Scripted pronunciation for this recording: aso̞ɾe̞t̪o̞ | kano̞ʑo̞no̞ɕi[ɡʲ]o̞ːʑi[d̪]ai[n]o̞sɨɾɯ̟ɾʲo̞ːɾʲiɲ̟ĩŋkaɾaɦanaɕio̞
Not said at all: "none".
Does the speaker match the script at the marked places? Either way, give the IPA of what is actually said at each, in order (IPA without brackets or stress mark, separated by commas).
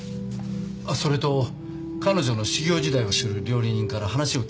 ɡʲ, d̪, none